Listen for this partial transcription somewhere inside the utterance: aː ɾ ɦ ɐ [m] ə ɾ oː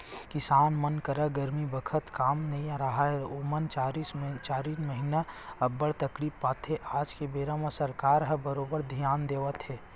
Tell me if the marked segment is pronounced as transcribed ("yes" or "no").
no